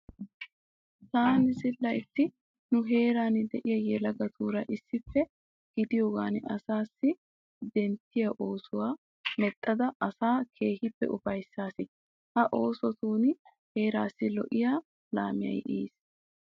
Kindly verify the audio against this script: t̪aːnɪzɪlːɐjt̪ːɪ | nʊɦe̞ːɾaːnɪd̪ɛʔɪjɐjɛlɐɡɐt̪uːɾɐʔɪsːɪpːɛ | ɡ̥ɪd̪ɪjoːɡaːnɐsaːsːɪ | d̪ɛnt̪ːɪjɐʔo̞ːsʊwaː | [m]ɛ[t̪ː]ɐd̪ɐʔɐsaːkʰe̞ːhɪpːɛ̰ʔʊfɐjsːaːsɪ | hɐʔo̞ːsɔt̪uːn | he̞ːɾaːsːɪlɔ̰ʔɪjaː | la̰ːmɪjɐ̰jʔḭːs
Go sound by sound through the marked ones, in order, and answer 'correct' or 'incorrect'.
correct, incorrect: t̪ʼː

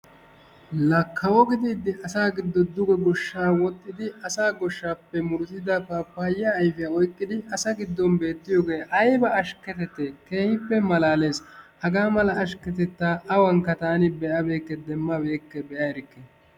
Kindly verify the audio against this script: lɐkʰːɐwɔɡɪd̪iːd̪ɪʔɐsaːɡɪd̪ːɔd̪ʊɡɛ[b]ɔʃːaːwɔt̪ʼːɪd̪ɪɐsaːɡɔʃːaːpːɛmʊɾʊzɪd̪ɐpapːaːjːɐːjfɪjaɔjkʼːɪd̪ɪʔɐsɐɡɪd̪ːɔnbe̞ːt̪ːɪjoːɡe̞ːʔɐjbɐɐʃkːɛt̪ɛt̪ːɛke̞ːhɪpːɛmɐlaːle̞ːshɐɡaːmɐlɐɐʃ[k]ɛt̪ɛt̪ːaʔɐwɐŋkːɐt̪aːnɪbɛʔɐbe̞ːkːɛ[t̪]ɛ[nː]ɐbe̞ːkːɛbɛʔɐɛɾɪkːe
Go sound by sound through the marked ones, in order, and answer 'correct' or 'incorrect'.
incorrect: ɡ, correct, incorrect: d̪, incorrect: mː

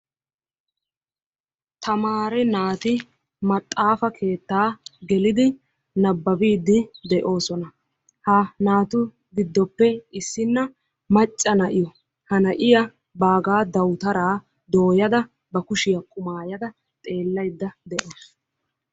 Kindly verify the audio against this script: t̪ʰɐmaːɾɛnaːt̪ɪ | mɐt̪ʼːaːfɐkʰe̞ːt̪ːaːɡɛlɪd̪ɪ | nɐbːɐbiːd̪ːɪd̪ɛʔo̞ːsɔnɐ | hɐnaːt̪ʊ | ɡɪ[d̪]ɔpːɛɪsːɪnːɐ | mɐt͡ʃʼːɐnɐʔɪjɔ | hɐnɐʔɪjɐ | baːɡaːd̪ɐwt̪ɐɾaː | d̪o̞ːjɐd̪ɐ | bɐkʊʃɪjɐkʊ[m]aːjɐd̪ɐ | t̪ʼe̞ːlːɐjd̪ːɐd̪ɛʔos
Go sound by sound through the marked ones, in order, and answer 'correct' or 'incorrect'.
incorrect: d̪ː, correct

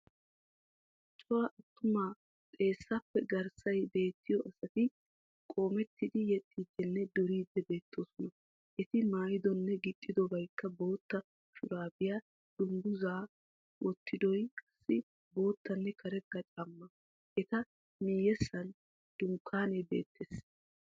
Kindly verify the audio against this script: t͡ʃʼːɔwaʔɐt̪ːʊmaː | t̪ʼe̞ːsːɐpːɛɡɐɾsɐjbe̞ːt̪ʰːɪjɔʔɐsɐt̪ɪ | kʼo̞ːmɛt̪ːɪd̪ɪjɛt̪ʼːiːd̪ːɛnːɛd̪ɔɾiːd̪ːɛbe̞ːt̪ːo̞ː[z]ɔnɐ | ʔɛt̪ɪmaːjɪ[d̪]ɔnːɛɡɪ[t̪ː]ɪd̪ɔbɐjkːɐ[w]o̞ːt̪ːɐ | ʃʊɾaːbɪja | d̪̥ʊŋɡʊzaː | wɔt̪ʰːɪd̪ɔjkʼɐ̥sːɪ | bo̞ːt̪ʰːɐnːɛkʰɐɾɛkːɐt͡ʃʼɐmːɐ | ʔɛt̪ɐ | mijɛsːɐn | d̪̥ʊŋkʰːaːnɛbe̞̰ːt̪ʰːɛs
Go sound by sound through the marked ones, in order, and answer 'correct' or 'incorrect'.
incorrect: s, correct, incorrect: t̪ʼː, incorrect: b

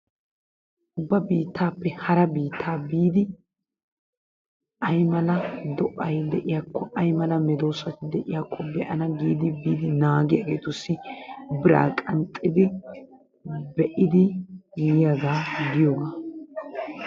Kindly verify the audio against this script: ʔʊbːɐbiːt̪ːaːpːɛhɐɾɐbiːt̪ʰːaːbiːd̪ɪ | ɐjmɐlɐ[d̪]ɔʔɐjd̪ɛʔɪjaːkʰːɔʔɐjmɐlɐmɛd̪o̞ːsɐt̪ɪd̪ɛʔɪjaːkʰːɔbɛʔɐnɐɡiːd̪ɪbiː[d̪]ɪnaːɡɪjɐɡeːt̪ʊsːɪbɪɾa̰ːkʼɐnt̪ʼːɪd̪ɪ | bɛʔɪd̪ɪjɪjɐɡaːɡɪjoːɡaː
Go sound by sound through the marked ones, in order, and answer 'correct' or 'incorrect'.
correct, correct

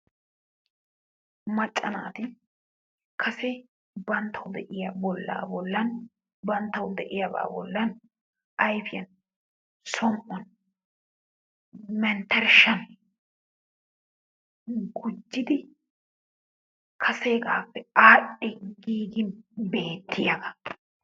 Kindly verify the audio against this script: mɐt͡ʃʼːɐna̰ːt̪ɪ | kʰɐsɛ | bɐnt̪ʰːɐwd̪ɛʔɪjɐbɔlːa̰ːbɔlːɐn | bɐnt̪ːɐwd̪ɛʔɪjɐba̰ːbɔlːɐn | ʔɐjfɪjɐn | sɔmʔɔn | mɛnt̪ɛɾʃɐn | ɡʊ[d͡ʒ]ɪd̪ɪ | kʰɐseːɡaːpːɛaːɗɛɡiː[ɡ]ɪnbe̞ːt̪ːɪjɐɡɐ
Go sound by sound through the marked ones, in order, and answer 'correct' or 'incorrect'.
incorrect: d͡ʒː, correct

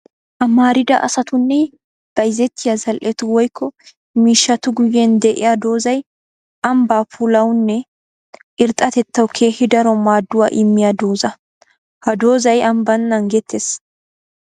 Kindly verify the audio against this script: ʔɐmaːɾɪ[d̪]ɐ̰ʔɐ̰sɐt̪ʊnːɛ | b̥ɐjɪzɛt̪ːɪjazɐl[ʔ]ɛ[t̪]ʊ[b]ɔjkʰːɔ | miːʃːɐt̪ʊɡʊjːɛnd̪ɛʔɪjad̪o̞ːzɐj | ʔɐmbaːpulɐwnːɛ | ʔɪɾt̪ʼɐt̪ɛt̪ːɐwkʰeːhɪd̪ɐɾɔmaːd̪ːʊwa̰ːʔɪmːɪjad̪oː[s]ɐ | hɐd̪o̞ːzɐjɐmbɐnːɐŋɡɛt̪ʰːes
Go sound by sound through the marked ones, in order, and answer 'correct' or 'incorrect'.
correct, correct, correct, incorrect: w, incorrect: z

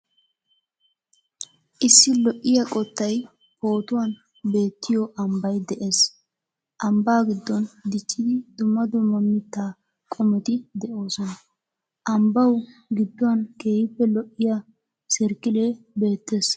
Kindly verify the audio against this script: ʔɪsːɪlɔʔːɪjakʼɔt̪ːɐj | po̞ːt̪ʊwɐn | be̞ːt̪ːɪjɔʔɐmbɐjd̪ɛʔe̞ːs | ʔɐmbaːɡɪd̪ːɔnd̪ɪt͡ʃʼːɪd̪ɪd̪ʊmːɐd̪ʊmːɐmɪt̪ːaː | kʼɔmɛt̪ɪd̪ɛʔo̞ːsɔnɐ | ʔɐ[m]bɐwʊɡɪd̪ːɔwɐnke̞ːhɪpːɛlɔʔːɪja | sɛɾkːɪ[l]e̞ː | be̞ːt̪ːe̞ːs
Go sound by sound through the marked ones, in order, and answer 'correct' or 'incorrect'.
correct, correct

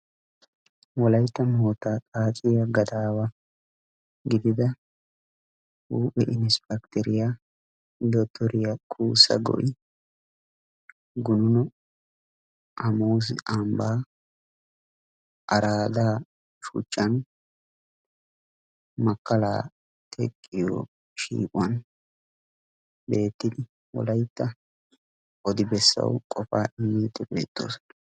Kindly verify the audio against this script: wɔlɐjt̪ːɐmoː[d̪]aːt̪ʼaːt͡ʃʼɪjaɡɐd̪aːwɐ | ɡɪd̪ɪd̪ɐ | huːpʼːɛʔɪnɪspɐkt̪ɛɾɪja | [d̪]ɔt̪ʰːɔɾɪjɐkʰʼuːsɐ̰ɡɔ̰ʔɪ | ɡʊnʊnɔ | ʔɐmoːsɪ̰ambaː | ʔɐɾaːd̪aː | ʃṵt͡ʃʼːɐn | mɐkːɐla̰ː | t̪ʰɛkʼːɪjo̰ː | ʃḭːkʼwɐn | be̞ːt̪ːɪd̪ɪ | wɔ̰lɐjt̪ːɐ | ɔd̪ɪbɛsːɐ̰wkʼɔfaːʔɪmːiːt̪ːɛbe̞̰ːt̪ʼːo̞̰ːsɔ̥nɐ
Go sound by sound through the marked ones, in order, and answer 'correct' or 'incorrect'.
incorrect: t̪, correct

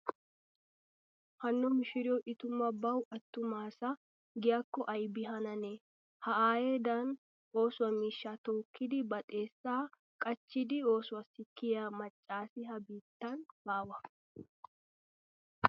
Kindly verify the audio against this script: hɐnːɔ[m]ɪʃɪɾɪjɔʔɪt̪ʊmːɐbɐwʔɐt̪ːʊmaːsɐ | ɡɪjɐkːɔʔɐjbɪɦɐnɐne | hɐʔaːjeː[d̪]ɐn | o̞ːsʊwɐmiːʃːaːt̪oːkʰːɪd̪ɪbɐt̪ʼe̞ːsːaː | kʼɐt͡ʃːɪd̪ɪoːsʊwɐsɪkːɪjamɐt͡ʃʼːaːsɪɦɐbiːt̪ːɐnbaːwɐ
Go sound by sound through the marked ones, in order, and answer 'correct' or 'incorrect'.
correct, correct

